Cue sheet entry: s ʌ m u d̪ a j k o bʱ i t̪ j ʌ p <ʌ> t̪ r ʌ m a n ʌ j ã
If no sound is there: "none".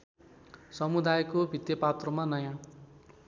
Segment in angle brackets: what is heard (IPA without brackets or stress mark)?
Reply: a